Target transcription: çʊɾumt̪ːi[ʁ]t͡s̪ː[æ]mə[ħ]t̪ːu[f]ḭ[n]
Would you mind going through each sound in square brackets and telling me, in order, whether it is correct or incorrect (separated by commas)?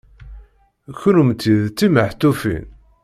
incorrect, incorrect, correct, correct, correct